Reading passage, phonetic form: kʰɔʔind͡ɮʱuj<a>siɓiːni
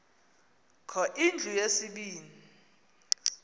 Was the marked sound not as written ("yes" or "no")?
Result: yes